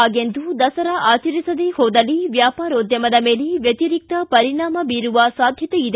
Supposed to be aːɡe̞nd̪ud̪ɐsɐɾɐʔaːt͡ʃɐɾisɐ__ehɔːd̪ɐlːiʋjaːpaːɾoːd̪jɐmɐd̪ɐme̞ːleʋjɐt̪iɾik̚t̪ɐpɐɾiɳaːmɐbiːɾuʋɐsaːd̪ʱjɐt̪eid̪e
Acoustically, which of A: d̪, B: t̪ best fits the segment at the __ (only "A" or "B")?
A